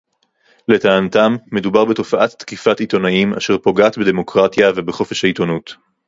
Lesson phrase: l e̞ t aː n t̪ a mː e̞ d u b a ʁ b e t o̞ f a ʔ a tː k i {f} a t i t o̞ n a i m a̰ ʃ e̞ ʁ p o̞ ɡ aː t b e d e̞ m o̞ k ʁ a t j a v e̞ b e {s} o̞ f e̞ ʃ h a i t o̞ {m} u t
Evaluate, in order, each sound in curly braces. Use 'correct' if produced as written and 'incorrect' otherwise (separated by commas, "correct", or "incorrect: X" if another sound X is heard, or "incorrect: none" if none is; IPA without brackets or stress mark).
correct, incorrect: χ, incorrect: n